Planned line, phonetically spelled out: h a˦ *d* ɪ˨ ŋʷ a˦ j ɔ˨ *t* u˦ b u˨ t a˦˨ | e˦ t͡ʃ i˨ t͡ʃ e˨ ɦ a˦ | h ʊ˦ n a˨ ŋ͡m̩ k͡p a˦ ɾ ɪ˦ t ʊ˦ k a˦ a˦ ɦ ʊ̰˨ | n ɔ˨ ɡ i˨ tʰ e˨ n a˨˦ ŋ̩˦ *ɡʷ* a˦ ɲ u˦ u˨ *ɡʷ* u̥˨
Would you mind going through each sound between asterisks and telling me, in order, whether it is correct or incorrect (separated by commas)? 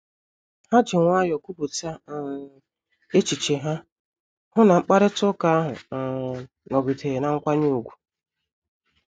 incorrect, incorrect, incorrect, correct